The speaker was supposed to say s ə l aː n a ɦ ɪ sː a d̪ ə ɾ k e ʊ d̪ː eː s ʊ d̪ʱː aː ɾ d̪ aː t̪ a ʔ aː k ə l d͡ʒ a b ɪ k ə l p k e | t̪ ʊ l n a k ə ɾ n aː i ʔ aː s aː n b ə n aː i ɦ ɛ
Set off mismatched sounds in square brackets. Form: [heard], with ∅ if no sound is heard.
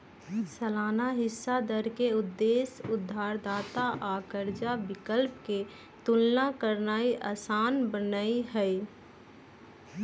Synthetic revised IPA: s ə l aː n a ɦ ɪ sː a d̪ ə ɾ k e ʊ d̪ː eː s ʊ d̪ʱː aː ɾ d̪ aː t̪ a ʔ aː k ə [ɾ] d͡ʒ a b ɪ k ə l p k e | t̪ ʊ l n a k ə ɾ n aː i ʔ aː s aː n b ə n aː i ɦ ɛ